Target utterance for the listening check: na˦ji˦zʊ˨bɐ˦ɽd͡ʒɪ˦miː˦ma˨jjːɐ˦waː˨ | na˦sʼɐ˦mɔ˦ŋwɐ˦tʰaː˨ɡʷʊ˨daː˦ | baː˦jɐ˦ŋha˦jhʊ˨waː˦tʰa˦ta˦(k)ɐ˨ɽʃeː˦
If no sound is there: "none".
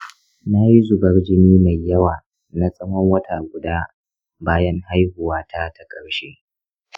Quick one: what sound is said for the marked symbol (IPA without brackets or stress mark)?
kʼ